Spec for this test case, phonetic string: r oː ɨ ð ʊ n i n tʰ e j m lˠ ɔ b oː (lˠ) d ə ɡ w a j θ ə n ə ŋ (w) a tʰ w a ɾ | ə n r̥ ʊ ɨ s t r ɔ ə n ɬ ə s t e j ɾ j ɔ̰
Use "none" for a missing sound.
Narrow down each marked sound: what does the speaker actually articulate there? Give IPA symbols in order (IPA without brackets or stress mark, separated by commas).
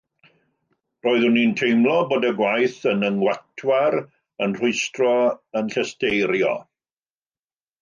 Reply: none, w